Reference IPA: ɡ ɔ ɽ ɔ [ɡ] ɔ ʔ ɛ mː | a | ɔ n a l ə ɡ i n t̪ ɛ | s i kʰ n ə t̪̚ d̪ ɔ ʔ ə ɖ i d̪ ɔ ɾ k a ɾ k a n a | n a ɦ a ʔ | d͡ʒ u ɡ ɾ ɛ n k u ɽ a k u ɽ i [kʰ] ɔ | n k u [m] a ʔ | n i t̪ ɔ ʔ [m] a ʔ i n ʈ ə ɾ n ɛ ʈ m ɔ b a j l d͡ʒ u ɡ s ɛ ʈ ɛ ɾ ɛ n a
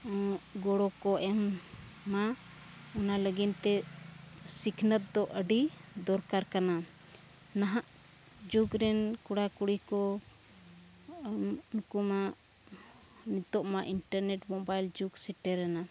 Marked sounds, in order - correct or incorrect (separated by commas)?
incorrect, incorrect, correct, correct